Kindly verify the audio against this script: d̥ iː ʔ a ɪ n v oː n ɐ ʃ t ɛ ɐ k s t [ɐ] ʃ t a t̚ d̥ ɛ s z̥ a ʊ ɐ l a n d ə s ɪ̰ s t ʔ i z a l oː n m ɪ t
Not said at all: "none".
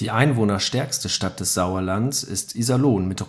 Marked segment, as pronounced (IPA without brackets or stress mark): ə